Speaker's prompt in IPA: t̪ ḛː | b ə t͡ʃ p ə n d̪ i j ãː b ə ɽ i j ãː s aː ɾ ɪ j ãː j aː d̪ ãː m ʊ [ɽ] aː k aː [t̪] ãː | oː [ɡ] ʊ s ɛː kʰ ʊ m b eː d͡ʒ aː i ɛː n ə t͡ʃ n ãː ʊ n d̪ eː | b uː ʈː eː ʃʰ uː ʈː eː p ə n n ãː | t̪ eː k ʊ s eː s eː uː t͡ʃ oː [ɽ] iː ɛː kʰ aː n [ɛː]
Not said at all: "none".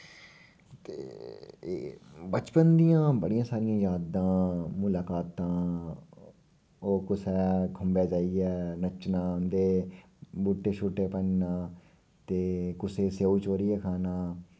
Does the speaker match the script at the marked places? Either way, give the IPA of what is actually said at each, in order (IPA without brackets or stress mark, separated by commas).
l, t̪, k, ɾ, aː